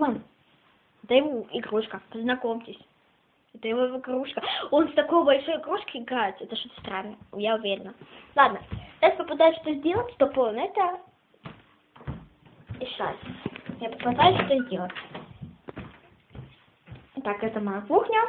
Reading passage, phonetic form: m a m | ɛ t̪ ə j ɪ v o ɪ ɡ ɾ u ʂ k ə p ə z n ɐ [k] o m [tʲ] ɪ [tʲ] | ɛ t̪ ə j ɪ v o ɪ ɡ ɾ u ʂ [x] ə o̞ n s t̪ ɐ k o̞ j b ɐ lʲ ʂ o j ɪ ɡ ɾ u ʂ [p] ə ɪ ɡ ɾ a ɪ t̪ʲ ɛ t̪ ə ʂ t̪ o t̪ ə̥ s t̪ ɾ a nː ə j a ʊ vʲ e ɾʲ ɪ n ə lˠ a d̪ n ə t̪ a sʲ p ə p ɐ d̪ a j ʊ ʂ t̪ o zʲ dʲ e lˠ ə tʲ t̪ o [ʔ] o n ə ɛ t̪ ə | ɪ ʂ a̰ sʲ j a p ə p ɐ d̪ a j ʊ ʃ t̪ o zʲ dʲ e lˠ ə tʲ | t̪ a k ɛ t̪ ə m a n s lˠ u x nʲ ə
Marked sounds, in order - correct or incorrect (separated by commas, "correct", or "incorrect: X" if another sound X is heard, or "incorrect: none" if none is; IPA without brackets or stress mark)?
correct, correct, incorrect: sʲ, incorrect: k, incorrect: k, incorrect: p